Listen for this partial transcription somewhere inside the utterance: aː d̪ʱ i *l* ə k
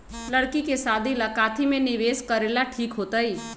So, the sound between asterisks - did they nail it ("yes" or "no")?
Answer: yes